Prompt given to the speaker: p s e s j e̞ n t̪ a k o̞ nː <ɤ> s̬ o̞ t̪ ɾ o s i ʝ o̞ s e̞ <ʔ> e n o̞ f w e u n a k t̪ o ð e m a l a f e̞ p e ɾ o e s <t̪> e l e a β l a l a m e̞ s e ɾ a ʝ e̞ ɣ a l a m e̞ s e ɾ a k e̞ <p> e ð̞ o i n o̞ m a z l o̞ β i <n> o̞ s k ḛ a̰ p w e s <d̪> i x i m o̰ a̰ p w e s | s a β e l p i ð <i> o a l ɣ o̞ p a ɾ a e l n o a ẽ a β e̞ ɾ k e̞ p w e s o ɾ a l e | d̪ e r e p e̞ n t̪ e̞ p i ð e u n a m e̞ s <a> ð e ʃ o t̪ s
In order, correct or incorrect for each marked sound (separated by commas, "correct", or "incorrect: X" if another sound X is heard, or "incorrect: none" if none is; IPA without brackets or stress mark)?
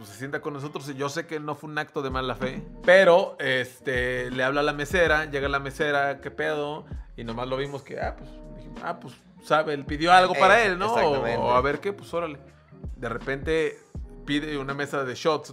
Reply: incorrect: o, incorrect: k, correct, correct, incorrect: m, correct, incorrect: j, correct